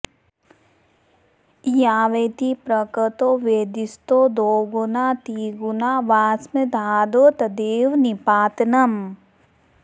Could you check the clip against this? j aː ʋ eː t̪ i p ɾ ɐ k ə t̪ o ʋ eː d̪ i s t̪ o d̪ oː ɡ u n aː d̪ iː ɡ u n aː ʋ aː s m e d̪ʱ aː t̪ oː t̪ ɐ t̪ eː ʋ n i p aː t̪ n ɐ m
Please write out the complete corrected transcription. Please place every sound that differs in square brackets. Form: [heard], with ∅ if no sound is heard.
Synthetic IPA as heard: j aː ʋ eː t̪ i p ɾ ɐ k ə t̪ o ʋ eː d̪ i s t̪ o d̪ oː ɡ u n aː [t̪] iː ɡ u n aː ʋ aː s m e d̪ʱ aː [d̪] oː t̪ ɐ [d̪] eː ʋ n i p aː t̪ n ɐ m